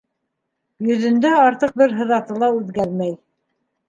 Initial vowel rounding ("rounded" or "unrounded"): rounded